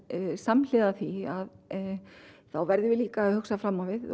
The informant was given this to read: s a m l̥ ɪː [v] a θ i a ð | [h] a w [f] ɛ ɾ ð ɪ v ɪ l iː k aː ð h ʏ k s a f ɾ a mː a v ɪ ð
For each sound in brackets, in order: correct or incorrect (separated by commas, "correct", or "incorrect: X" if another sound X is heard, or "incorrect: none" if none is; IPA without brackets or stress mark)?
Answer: incorrect: ð, incorrect: θ, incorrect: v